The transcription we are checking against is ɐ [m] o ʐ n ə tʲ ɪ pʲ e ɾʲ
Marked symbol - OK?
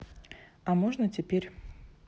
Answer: yes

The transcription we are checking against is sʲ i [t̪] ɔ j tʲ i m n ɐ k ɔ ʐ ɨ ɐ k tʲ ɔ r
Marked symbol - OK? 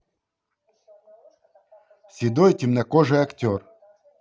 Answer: no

